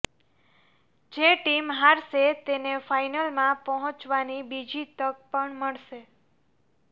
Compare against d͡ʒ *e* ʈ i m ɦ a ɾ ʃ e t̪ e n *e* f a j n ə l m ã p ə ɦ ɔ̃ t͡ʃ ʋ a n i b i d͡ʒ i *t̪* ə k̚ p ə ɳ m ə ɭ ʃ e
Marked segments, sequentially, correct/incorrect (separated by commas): correct, correct, correct